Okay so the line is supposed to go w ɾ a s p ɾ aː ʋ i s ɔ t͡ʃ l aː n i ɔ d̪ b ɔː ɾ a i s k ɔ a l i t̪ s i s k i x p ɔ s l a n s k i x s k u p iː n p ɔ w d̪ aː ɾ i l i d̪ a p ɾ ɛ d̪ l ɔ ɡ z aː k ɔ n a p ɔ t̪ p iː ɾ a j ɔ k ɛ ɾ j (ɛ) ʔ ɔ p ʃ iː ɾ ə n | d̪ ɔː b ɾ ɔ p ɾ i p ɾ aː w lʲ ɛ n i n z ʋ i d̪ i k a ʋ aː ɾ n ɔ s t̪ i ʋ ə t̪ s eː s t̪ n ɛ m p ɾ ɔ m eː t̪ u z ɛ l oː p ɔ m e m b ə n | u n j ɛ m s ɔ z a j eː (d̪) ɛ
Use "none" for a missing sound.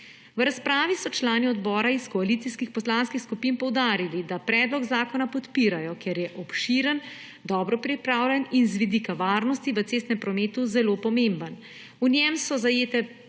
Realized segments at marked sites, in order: ɛ, t̪

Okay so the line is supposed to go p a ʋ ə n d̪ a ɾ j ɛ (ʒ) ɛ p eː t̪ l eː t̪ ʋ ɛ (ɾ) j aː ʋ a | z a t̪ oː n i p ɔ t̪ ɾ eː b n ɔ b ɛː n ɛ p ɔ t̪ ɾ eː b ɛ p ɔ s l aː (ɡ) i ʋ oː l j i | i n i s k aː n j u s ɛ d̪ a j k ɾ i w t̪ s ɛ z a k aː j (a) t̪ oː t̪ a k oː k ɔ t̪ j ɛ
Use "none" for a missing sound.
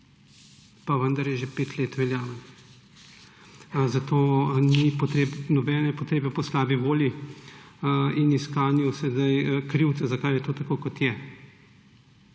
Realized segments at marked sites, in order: ʒ, l, b, ɛ

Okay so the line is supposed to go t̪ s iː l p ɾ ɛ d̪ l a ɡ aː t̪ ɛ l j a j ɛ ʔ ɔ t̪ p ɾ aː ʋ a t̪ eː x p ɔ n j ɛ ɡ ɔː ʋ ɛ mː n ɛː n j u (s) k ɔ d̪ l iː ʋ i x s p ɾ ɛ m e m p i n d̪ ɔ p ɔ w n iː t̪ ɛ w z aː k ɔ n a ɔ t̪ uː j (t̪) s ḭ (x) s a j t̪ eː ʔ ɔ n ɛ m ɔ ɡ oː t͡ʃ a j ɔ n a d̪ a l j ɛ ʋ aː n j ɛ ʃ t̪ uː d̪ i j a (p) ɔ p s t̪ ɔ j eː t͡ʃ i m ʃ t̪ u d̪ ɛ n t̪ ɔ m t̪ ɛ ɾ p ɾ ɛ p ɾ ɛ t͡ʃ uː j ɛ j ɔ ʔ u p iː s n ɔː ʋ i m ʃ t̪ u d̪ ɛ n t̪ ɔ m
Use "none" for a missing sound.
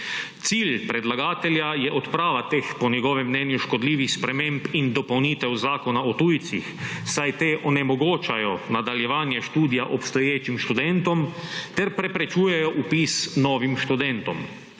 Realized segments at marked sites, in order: ʃ, t̪, x, ʔ

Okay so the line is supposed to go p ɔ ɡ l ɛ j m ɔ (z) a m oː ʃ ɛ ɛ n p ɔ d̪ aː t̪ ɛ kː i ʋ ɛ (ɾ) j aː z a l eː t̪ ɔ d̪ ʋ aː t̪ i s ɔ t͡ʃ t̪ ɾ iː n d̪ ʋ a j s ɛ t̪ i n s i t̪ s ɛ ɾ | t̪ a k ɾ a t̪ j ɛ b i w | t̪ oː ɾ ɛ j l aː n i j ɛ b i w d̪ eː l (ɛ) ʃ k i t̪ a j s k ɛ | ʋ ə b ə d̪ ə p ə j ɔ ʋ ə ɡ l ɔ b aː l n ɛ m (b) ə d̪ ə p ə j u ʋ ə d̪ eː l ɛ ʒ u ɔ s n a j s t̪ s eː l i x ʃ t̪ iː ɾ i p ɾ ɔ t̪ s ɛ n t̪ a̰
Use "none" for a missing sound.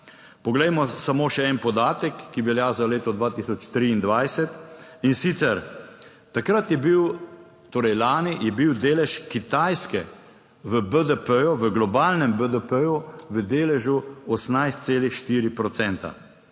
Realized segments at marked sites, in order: s, l, ɛ, b

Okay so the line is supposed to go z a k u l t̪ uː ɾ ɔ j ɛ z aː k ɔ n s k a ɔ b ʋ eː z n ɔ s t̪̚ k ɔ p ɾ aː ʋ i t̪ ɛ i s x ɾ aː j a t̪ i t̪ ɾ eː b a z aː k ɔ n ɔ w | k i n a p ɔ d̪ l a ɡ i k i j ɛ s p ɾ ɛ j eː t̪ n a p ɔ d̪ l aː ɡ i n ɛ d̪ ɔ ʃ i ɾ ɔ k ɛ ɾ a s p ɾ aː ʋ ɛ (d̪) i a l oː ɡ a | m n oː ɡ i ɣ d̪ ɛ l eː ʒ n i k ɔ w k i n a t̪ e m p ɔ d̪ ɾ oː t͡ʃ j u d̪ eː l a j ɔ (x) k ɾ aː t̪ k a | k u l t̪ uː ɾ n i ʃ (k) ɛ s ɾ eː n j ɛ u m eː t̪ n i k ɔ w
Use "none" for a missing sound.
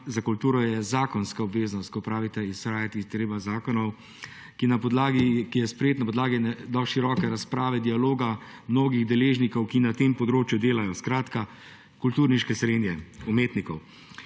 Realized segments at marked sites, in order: d̪, s, k

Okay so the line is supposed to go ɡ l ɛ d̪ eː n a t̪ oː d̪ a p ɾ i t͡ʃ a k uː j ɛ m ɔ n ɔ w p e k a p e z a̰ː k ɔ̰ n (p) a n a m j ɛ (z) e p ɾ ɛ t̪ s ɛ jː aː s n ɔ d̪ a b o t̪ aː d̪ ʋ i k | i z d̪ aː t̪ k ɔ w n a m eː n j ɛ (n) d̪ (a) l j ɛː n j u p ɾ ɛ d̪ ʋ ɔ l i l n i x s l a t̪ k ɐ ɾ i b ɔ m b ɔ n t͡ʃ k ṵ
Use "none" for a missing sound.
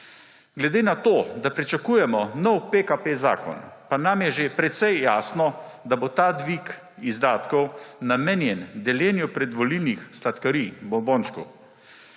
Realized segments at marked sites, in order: p, ʒ, n, ɛ

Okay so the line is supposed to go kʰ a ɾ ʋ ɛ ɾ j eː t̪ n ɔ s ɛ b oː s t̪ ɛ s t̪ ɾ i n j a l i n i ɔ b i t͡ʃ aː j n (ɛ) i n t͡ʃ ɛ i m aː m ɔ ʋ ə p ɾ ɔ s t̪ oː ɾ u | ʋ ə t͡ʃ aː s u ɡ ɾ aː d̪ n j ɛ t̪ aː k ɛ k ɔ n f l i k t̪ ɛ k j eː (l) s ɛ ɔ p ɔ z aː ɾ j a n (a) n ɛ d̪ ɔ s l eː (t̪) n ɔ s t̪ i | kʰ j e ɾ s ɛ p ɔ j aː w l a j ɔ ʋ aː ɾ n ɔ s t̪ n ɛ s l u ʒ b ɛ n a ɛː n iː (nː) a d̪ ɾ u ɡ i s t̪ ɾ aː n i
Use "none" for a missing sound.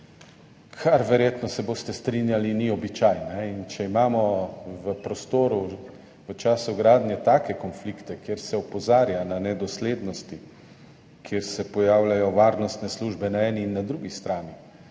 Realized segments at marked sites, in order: ɛ, ɾ, a, d̪, nː

